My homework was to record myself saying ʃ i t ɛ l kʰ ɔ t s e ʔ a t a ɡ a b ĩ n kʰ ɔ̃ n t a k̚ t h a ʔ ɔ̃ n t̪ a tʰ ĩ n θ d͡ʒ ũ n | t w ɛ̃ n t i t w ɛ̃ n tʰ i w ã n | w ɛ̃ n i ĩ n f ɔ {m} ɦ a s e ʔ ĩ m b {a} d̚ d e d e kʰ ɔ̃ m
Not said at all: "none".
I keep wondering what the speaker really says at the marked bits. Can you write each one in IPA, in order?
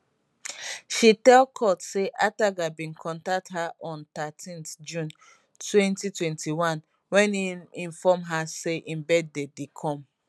m, ɛ

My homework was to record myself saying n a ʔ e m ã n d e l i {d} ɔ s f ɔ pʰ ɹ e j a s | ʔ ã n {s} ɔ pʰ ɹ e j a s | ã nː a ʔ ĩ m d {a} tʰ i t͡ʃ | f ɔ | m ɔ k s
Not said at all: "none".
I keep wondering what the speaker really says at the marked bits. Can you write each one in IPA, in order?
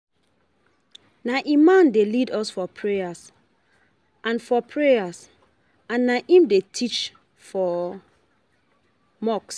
d, f, e

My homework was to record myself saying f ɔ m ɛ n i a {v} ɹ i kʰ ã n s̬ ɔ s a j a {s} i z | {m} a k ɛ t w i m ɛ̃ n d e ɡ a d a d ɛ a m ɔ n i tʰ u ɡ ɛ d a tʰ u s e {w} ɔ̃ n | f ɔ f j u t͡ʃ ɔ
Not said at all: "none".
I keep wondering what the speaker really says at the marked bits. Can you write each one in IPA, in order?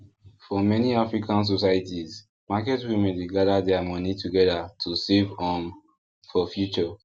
f, t, m, v

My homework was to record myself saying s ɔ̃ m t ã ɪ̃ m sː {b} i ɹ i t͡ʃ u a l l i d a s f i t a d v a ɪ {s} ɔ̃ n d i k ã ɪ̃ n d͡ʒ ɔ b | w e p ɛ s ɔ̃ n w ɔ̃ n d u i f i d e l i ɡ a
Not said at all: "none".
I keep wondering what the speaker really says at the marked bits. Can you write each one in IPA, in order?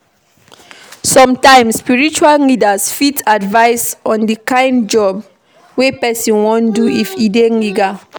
p, s

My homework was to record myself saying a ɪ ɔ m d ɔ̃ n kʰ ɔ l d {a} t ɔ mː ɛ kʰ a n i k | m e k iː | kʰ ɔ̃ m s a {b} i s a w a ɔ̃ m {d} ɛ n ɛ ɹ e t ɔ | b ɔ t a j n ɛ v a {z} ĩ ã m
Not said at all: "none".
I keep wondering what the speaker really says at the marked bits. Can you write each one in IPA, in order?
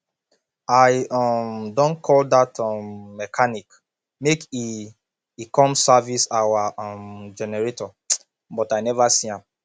a, v, d͡ʒ, s

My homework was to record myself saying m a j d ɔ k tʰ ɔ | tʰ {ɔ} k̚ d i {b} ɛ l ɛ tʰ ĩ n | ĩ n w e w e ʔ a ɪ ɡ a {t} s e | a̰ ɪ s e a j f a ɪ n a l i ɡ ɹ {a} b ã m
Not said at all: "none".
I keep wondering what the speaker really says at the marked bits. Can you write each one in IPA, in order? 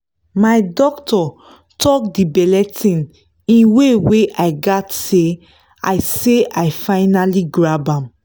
ɔ, b, t, a

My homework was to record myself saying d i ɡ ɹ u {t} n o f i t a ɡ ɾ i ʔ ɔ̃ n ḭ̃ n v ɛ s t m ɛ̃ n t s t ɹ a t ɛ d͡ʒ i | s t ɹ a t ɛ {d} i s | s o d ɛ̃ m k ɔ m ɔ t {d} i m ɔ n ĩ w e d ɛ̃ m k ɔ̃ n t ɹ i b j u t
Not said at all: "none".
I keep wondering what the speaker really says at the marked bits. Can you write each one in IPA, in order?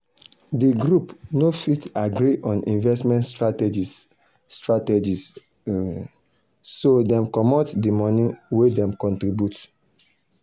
p, d͡ʒ, d

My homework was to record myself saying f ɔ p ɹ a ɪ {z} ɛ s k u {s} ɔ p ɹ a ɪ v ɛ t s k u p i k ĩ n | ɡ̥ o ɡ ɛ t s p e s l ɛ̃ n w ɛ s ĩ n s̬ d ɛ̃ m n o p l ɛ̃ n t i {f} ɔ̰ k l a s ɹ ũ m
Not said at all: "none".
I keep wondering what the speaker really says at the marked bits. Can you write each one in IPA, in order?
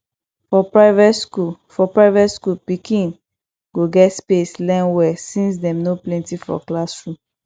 v, f, f

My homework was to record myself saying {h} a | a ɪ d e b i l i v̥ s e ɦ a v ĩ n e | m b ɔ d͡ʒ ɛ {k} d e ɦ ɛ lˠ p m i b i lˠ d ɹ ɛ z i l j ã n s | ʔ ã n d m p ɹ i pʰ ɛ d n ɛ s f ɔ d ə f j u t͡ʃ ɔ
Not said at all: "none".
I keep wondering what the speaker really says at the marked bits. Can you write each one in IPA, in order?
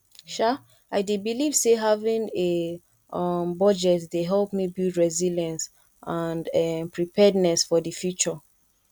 ʃ, t

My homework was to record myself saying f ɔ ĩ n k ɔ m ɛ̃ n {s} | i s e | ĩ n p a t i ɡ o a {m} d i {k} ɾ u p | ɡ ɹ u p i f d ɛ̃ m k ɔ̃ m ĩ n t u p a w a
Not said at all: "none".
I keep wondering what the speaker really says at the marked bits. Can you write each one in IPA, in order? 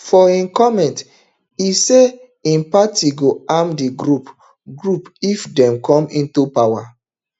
t, m, ɡ

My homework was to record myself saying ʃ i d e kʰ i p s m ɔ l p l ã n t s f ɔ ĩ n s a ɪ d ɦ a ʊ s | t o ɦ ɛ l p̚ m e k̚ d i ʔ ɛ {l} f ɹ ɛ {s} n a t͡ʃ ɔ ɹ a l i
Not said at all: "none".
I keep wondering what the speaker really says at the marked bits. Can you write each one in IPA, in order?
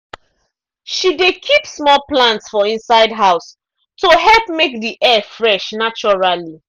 none, ʃ

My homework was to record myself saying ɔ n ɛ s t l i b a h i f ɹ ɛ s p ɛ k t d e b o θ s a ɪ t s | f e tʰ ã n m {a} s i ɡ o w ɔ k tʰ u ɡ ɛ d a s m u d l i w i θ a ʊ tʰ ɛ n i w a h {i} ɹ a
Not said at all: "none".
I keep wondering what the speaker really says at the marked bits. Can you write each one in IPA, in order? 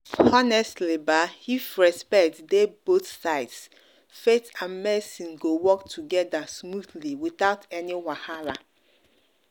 ɛ, a

